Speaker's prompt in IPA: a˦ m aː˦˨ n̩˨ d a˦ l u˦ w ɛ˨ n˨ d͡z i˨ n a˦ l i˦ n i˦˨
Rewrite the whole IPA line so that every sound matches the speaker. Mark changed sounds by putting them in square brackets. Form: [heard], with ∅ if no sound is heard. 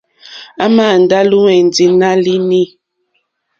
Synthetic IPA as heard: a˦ m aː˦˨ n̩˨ d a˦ l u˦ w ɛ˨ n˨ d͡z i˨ n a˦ l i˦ n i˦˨